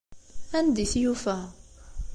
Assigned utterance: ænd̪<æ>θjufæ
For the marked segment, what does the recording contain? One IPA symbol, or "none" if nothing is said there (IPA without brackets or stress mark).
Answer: i